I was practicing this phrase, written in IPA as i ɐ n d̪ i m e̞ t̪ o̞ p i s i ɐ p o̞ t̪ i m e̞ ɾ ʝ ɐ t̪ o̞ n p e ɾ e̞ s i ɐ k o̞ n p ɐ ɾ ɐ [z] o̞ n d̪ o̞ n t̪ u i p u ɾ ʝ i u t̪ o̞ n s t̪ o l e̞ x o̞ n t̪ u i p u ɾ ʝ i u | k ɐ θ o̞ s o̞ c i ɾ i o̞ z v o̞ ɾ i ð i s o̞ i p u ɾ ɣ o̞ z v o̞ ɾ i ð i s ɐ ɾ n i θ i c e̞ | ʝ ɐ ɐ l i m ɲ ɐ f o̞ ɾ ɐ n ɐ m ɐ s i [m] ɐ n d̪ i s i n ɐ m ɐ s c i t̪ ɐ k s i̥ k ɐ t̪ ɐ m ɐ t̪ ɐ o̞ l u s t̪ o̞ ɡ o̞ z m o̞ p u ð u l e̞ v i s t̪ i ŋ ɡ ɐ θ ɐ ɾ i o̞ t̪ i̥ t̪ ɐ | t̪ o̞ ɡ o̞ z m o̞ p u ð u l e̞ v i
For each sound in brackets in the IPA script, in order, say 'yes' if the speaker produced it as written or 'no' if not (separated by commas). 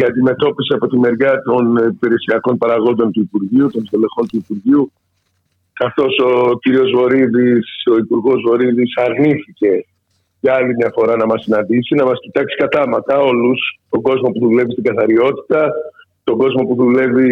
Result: no, no